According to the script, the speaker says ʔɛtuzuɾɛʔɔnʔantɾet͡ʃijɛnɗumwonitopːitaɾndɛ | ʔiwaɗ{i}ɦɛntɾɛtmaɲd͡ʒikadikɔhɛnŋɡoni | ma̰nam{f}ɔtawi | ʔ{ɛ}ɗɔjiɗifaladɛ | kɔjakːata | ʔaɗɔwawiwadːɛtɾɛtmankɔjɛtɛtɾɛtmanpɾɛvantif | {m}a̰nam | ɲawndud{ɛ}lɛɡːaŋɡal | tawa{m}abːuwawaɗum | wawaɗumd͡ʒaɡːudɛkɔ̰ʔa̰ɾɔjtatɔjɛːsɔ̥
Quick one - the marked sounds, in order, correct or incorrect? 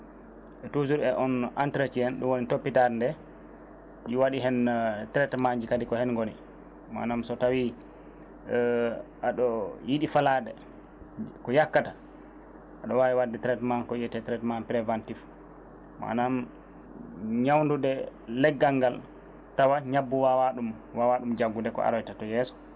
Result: correct, incorrect, incorrect, correct, correct, incorrect

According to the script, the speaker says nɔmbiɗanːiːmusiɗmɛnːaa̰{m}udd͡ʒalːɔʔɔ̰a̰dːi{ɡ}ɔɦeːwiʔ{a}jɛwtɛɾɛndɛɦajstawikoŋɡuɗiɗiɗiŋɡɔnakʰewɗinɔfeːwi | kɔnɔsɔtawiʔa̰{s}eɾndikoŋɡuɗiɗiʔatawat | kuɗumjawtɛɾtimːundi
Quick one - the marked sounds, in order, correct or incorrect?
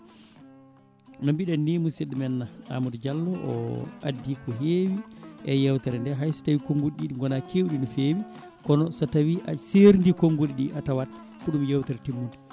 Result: correct, incorrect, incorrect, correct

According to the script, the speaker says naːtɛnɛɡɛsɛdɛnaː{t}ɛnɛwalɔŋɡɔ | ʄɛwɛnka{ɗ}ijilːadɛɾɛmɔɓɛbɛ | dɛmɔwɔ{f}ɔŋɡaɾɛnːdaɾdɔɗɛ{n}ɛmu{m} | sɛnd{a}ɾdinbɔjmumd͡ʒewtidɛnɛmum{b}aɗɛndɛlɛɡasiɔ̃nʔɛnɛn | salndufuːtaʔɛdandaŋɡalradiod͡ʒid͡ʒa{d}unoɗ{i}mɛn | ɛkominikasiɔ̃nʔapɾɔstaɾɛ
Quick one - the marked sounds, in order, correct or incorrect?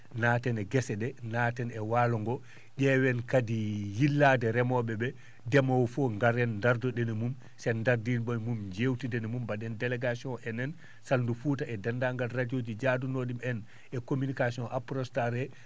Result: correct, incorrect, correct, correct, correct, correct, correct, correct, correct

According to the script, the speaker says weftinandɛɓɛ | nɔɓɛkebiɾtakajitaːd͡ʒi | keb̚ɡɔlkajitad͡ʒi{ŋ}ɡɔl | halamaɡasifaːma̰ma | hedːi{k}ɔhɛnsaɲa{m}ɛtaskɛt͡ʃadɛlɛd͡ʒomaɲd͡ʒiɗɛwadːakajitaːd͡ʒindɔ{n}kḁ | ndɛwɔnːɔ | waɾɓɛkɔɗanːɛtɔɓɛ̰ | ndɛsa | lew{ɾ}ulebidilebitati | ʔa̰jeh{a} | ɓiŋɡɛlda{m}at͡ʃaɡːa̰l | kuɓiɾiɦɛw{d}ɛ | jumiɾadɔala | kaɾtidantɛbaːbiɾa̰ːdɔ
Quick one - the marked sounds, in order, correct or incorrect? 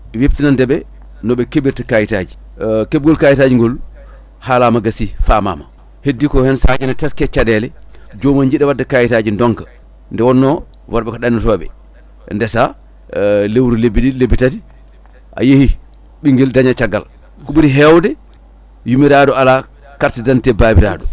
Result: correct, correct, incorrect, incorrect, correct, incorrect, incorrect, correct

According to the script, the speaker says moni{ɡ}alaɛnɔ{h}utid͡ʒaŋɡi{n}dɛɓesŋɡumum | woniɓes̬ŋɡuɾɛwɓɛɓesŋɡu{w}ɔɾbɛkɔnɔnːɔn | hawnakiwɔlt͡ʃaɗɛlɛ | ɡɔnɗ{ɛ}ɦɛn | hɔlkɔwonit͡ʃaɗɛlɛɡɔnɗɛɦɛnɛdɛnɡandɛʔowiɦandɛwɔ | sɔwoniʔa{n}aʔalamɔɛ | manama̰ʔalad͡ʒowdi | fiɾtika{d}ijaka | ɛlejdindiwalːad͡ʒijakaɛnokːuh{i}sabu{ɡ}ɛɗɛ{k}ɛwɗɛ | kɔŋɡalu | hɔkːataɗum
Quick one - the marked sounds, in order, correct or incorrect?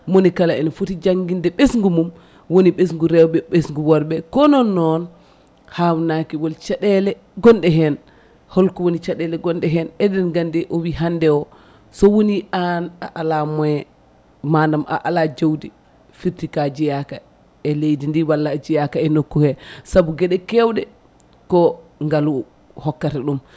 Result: incorrect, incorrect, correct, correct, correct, correct, incorrect, incorrect, correct, correct

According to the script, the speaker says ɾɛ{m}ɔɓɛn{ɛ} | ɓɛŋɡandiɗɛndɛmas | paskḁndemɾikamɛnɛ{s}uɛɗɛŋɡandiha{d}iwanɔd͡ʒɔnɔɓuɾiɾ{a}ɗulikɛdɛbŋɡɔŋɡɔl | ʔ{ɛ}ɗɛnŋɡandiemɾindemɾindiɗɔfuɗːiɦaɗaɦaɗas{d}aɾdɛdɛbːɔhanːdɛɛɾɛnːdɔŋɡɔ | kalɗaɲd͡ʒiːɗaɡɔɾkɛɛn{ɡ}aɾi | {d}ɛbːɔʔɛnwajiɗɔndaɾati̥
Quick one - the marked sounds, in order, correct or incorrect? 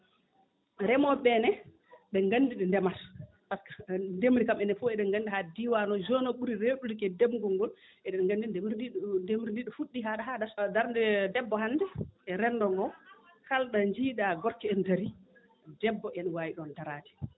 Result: correct, correct, incorrect, correct, incorrect, correct, correct, incorrect, correct

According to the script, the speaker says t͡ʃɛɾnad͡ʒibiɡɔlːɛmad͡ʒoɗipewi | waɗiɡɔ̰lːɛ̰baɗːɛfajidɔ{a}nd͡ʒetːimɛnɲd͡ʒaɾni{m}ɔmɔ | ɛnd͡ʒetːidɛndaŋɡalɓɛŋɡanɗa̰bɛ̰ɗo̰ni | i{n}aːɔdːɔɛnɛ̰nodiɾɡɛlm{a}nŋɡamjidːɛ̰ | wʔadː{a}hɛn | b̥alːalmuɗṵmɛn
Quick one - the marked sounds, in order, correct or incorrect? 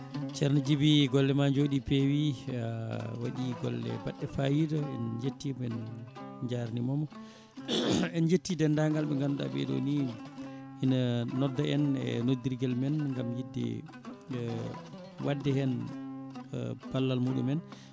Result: incorrect, correct, correct, incorrect, incorrect

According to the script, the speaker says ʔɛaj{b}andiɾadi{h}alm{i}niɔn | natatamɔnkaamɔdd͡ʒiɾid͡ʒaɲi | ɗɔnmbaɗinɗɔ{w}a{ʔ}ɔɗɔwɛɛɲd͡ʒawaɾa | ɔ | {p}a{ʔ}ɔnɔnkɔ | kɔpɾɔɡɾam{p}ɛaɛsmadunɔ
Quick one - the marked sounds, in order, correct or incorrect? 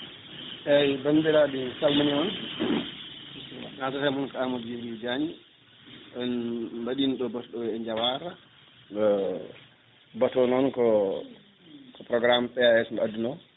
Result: correct, incorrect, incorrect, incorrect, incorrect, incorrect, incorrect, correct

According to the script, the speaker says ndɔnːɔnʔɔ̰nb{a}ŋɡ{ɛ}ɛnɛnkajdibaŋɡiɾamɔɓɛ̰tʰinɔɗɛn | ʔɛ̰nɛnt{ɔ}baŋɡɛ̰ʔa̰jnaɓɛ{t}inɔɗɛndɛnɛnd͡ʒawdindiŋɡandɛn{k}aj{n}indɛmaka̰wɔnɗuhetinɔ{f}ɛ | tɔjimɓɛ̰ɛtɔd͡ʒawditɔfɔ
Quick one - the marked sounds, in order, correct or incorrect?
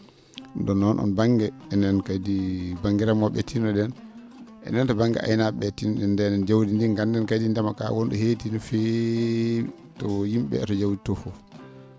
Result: correct, correct, correct, correct, correct, incorrect, correct

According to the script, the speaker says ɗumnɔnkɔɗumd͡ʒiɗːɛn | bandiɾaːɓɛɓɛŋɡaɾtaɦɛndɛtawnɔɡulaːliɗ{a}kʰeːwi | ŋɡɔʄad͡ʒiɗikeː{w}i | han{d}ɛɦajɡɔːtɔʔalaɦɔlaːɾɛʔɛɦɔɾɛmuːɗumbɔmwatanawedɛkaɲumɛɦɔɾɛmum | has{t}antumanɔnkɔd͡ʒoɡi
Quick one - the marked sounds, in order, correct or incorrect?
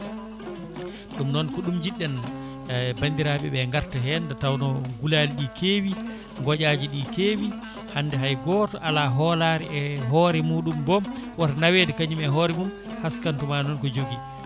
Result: incorrect, correct, correct, incorrect

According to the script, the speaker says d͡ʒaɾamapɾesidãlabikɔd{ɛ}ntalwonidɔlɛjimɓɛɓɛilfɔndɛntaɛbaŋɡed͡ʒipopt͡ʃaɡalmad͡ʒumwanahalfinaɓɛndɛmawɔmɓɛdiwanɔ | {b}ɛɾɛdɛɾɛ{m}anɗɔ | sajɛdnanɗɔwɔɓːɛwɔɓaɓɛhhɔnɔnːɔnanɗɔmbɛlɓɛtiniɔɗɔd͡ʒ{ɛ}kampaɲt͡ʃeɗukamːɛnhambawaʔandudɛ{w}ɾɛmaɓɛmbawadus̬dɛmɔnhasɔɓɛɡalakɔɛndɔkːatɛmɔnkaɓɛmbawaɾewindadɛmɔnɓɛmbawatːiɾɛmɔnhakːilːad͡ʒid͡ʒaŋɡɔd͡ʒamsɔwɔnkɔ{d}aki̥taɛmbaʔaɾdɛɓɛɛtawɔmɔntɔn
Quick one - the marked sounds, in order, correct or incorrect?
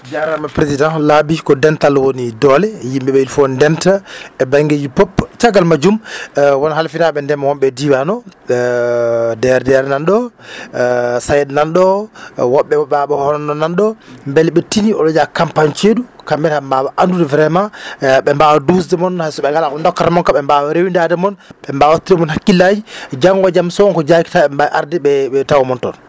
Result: correct, incorrect, incorrect, incorrect, incorrect, incorrect

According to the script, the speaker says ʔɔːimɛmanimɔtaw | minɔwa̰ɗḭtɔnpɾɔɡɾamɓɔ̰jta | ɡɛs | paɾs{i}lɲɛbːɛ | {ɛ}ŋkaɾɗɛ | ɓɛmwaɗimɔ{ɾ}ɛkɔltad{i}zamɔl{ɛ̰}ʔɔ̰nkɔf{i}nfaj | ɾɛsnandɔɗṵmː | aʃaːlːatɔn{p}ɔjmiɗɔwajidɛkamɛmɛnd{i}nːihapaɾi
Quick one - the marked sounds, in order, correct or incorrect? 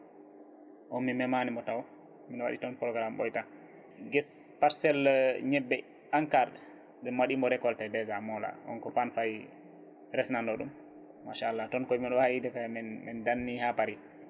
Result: incorrect, incorrect, correct, incorrect, incorrect, incorrect, incorrect, incorrect

